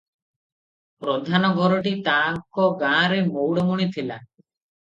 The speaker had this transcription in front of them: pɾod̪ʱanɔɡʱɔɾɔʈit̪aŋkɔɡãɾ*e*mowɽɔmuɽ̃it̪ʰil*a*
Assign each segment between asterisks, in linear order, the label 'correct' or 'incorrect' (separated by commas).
correct, correct